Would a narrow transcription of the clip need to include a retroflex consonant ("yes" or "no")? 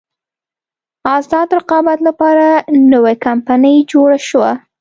yes